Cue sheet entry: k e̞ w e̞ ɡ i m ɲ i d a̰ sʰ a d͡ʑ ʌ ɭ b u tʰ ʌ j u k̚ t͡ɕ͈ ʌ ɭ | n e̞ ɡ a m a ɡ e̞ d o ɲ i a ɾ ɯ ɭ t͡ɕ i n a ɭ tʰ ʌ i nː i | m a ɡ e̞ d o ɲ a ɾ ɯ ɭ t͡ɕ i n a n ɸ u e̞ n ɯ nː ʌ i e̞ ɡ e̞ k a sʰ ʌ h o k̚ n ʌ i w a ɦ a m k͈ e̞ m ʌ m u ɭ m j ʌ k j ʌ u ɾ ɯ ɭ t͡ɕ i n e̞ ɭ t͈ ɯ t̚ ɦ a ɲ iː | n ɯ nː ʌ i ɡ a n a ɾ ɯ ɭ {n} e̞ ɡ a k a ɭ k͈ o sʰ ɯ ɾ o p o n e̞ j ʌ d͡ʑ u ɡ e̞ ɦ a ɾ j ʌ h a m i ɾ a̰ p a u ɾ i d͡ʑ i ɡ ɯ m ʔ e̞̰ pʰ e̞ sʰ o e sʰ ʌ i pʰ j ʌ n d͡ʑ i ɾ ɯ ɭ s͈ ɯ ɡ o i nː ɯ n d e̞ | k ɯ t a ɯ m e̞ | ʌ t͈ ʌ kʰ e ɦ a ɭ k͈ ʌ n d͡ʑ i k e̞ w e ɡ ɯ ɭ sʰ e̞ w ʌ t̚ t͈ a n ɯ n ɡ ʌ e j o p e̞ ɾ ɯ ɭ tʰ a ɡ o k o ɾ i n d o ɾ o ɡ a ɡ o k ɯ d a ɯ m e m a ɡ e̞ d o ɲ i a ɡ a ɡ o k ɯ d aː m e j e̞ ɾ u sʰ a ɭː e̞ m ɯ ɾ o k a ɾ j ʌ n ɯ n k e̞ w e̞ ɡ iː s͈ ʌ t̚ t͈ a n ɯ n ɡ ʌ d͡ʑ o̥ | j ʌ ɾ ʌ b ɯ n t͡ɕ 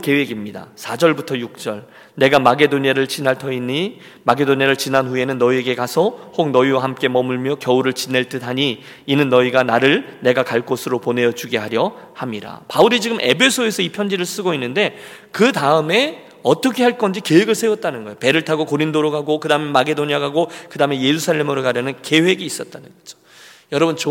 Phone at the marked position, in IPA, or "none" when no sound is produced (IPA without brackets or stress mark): n